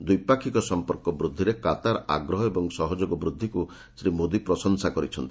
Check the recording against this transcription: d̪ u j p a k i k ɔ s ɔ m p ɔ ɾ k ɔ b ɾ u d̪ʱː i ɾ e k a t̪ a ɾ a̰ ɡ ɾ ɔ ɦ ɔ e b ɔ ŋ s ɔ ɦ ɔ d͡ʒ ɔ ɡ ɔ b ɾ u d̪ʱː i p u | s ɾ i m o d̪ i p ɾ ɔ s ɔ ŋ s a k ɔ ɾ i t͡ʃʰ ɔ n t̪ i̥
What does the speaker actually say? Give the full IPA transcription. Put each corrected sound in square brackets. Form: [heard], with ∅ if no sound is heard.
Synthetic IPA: d̪ u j p a [kʰ] i k ɔ s ɔ m p ɔ ɾ k ɔ b ɾ u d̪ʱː i ɾ e k a t̪ a ɾ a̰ ɡ ɾ ɔ ɦ ɔ e b ɔ ŋ s ɔ ɦ ɔ d͡ʒ [o] ɡ ɔ b ɾ u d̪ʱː i [k] u | s ɾ i m o d̪ i p ɾ ɔ s ɔ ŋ s a k ɔ ɾ i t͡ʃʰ ɔ n t̪ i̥